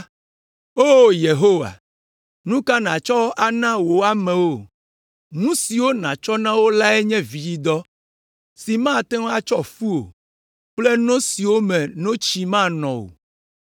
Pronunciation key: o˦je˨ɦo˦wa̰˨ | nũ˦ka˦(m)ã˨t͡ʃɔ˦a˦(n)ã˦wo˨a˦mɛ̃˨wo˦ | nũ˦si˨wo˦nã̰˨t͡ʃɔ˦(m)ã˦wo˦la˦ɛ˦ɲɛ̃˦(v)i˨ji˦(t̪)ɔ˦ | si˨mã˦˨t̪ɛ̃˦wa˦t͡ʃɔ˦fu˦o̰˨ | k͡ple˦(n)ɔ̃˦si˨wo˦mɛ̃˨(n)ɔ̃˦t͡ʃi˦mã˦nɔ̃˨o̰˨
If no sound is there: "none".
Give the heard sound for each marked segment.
n, n, n, v, d̪, n, n

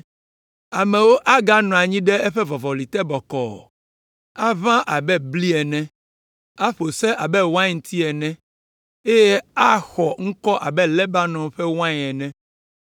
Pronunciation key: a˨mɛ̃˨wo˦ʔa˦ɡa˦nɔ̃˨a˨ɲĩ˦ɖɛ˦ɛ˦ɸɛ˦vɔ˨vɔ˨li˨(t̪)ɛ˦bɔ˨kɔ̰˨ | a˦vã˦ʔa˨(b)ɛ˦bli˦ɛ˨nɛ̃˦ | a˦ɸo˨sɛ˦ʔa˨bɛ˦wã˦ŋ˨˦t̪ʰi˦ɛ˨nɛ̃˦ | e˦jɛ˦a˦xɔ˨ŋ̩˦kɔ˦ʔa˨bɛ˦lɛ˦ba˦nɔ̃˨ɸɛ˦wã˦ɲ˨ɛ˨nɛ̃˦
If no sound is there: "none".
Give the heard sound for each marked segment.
t̪, b

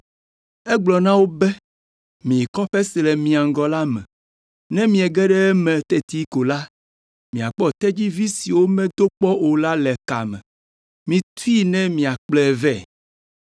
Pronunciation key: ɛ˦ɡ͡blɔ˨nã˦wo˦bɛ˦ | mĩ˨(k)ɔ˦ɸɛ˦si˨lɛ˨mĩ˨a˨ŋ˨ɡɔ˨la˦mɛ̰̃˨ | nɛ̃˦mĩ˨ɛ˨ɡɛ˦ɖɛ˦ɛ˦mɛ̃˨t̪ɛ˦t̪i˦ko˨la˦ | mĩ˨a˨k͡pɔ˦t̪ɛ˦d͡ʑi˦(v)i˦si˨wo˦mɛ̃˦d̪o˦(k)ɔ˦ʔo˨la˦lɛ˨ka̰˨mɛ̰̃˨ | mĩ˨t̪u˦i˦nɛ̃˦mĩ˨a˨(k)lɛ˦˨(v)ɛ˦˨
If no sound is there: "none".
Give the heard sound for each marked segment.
k, v, k͡p, k͡p, v

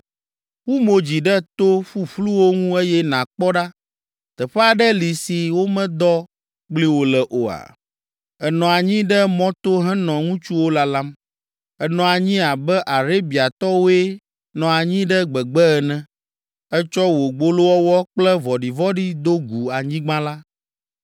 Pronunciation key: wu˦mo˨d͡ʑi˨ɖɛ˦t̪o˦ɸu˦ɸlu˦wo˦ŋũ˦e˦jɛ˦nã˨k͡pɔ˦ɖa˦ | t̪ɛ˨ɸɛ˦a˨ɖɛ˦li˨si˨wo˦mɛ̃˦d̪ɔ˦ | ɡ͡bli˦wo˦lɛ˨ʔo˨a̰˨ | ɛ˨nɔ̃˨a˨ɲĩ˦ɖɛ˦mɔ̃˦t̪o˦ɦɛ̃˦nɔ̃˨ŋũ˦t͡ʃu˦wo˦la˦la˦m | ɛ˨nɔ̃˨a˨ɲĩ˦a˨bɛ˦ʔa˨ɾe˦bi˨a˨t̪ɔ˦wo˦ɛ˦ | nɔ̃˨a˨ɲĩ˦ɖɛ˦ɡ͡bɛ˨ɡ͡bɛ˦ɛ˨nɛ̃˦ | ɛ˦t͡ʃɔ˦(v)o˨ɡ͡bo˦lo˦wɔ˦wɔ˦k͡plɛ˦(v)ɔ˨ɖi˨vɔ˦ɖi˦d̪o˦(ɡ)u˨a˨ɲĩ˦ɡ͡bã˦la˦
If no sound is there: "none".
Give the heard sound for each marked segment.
w, v, ɡ

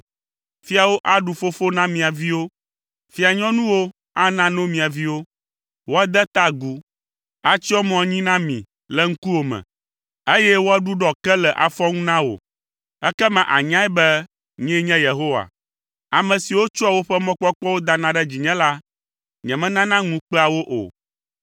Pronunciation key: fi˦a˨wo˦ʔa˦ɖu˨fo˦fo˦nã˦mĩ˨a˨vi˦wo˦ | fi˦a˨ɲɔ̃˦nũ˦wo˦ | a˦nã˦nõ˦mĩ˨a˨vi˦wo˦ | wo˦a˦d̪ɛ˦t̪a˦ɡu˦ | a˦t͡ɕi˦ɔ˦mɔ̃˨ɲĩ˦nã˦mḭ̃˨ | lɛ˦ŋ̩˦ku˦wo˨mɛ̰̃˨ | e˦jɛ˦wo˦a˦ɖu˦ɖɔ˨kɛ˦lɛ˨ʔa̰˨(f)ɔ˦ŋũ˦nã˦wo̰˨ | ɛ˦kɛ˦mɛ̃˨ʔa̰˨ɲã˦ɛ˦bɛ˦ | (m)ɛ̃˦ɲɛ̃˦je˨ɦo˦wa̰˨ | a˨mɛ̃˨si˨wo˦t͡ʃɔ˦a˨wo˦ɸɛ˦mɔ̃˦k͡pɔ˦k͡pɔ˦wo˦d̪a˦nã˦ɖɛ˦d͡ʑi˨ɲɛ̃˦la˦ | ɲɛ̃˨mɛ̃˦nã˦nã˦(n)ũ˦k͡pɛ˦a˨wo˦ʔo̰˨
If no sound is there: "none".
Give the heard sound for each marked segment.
f, ɲ, ŋ

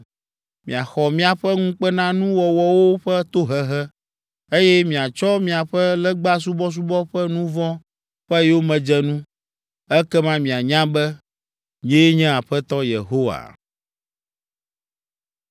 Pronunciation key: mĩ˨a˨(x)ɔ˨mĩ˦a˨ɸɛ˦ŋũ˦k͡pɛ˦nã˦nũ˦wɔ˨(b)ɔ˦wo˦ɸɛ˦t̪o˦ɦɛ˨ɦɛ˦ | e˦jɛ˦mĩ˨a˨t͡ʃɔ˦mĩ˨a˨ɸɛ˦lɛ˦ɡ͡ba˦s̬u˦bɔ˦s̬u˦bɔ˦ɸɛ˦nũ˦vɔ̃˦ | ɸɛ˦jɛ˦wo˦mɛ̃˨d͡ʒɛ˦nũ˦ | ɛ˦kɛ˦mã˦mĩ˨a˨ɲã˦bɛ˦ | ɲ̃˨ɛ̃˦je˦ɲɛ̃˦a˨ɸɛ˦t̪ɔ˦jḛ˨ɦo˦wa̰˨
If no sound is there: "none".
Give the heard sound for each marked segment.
x, w

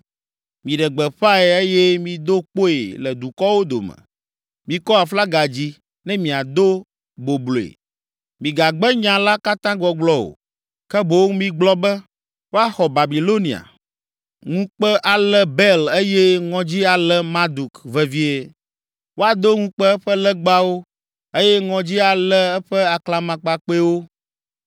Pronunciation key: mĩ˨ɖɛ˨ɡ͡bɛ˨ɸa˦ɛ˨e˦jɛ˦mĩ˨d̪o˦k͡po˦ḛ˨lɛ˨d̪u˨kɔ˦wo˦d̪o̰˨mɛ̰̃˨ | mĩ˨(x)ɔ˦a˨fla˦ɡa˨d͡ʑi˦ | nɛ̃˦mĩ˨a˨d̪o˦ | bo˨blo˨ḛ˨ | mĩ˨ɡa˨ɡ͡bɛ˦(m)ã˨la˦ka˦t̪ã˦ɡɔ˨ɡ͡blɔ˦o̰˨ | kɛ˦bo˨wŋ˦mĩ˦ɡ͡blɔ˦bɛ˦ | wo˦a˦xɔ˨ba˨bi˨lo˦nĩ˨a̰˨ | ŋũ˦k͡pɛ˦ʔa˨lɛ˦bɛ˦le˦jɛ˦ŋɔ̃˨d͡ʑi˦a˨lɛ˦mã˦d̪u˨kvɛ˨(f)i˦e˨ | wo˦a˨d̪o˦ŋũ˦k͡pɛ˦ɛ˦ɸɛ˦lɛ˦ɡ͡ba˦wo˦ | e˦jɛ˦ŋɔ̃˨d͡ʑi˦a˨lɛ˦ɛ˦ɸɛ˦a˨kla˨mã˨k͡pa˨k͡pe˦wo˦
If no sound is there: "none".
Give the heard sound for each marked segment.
k, ɲ, v

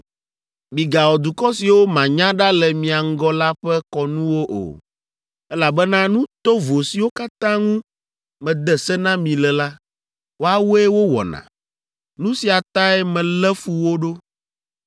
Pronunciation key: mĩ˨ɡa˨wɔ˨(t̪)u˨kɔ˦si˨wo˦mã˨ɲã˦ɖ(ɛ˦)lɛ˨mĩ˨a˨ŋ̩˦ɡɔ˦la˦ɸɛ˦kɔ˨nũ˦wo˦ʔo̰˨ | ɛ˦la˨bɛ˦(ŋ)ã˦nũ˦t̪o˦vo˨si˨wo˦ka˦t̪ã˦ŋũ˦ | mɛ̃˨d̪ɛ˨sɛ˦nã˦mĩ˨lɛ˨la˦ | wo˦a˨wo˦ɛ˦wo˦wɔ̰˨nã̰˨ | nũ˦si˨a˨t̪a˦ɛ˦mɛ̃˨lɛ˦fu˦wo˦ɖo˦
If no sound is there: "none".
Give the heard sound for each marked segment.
d̪, a˦, n

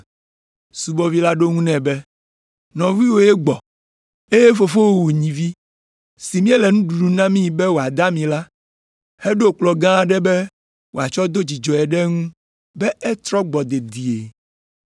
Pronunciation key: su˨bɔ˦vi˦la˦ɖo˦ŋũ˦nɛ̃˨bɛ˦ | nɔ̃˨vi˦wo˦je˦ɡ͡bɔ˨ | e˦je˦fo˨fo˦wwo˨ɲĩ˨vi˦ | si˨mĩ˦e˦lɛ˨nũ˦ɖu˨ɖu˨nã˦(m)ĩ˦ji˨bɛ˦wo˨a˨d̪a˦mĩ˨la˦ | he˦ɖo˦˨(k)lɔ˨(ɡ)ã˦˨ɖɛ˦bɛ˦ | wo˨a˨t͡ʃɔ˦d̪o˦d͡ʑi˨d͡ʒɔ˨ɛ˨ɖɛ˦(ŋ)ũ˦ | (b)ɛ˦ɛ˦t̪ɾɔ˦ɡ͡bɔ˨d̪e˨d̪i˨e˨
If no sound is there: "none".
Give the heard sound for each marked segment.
m, k͡p, ɡ, ŋ, b

